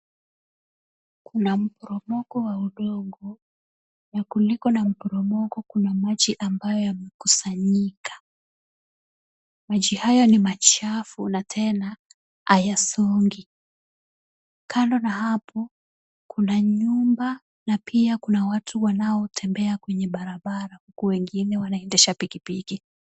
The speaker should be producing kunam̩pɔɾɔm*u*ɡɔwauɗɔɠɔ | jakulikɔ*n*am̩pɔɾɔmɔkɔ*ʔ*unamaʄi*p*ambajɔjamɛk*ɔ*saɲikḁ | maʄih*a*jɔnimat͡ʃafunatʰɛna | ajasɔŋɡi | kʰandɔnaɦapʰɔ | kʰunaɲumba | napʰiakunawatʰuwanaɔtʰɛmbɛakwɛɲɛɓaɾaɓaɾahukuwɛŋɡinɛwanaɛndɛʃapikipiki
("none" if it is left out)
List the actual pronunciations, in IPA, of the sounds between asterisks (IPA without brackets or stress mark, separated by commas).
ɔ, n, k, ʔ, u, a